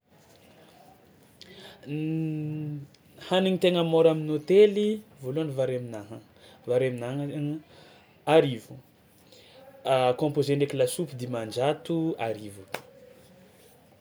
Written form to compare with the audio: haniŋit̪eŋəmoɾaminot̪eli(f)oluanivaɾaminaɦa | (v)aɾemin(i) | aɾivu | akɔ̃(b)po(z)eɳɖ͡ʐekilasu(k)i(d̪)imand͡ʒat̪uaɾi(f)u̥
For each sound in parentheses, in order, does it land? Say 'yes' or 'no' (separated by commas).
no, yes, no, no, yes, no, yes, no